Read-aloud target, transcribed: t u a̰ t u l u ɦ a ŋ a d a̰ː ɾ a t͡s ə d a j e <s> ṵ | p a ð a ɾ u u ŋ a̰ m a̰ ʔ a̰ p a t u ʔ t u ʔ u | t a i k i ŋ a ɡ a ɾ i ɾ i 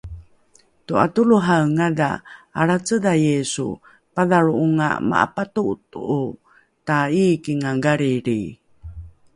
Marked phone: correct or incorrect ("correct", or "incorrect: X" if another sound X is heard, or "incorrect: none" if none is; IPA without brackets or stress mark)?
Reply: correct